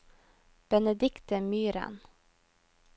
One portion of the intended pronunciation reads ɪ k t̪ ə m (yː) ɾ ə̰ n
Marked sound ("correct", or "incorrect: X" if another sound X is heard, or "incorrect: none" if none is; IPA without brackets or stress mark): correct